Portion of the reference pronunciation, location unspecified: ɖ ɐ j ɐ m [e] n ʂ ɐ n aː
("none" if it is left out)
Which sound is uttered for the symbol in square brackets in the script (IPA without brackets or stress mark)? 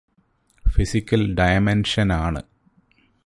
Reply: e